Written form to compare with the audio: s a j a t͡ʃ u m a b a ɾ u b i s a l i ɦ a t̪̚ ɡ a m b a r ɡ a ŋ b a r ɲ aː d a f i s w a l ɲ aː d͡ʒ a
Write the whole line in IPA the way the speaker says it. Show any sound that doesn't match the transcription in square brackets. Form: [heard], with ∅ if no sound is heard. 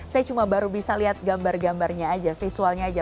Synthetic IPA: s a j a t͡ʃ u m a b a ɾ u b i s a l i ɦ a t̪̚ ɡ a m b a r ɡ a [m] b a r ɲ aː [d͡ʒ] a f i s [u] a l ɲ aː d͡ʒ a